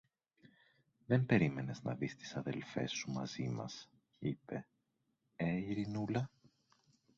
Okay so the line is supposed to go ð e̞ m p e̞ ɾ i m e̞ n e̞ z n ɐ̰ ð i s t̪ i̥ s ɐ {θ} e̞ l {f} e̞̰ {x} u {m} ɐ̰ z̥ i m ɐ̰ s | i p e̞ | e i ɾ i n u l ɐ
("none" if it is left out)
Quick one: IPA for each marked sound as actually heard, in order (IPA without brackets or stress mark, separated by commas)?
ð, f, s, m